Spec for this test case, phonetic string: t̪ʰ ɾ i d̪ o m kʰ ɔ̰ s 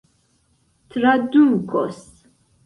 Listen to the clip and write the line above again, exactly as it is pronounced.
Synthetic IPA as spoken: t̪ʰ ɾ a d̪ u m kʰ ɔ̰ s